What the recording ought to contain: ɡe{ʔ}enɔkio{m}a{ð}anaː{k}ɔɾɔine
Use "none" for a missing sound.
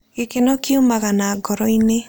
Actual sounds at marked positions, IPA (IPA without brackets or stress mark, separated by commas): k, m, ɣ, ɡ